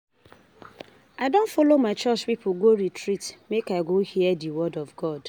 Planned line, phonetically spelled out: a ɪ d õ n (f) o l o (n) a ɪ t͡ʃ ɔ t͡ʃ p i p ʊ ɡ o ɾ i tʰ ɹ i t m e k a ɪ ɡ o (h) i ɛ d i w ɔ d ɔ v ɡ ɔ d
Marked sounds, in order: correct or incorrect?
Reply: correct, incorrect: m, correct

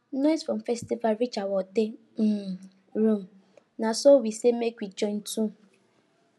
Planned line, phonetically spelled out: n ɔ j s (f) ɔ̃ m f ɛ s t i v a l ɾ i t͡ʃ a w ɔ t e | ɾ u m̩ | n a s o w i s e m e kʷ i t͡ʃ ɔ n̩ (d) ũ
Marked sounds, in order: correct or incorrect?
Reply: correct, incorrect: t

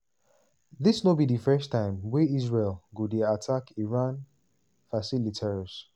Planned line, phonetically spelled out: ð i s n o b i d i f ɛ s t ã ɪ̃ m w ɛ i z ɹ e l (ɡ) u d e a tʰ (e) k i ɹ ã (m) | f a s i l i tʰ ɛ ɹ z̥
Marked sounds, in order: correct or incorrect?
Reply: correct, incorrect: a, incorrect: n

